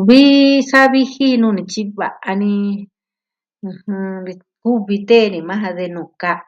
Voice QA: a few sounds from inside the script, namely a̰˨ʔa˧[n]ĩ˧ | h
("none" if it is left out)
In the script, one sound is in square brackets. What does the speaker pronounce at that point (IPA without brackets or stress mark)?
n